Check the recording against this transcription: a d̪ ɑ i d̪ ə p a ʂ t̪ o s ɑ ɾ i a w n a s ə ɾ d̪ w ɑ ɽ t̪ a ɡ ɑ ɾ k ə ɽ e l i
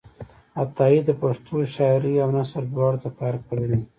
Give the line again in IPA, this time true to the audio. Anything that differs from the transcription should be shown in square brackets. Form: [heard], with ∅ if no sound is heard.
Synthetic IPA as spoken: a [t̪] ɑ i d̪ ə p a ʂ t̪ o [ʃ] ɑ ɾ i a w n a s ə ɾ d̪ w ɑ ɽ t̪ a [k] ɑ ɾ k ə ɽ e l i